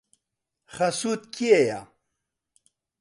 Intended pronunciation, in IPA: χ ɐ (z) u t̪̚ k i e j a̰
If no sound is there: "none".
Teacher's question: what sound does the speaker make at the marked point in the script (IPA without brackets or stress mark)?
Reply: s